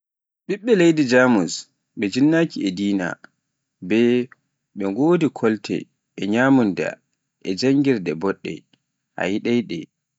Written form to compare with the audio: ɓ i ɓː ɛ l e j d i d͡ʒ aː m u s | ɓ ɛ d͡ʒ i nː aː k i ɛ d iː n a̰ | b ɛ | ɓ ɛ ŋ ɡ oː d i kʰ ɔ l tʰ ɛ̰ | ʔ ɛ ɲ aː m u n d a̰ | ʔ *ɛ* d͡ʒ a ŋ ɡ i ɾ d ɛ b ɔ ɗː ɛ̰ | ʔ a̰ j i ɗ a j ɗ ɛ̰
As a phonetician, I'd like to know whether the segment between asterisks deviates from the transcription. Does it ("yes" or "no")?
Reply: no